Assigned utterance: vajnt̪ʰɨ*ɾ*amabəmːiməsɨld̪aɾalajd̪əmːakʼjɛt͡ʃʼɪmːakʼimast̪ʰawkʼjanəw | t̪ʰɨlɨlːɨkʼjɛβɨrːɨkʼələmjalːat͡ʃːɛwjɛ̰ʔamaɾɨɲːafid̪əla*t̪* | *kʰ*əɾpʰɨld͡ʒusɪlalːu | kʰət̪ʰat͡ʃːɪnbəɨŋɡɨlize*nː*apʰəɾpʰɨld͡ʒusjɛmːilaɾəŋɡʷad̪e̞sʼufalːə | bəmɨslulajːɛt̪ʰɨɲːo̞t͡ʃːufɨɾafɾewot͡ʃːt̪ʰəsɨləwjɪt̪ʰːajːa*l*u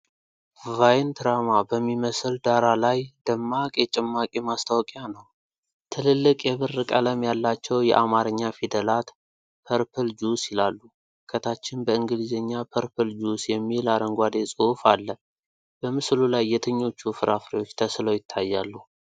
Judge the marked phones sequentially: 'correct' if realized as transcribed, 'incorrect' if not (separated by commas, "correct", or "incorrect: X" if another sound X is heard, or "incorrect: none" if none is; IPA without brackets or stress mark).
correct, correct, incorrect: pʰ, incorrect: ɲː, incorrect: lː